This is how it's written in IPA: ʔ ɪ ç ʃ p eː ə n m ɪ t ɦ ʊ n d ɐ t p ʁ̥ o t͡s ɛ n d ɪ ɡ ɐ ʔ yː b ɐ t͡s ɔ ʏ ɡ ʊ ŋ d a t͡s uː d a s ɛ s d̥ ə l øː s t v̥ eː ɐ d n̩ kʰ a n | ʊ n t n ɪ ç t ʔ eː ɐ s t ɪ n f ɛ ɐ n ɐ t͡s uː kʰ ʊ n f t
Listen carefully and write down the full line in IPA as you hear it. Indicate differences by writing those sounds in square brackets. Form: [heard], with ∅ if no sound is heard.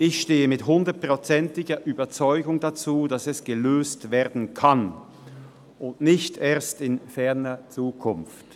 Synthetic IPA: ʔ ɪ ç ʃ [t] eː ə [∅] m ɪ t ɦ ʊ n d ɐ t p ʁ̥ o t͡s ɛ n [t] ɪ ɡ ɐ ʔ yː b ɐ t͡s ɔ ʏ ɡ ʊ ŋ d a t͡s uː d a s ɛ s [ɡ̥] ə l øː s t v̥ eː ɐ d n̩ kʰ a n | ʊ n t n ɪ ç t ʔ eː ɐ s t ɪ n f ɛ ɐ n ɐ t͡s uː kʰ ʊ n f t

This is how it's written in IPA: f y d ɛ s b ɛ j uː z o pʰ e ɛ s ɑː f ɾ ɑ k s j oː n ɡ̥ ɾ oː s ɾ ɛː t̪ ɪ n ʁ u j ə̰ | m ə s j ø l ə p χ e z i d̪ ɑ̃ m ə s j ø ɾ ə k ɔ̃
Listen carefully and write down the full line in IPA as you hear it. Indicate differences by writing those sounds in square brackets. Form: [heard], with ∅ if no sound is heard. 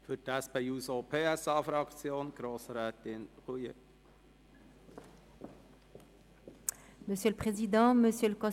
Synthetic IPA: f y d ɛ s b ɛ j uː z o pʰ e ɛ s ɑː f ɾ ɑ k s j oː n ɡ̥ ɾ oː s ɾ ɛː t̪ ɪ n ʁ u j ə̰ | m ə s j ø l ə p χ e z i d̪ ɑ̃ m ə s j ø [l] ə k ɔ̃

